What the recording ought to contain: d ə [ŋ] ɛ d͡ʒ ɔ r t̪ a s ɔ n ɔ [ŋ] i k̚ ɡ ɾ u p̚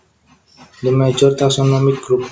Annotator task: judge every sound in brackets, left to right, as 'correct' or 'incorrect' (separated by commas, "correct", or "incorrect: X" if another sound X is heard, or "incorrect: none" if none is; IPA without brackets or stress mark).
incorrect: m, incorrect: m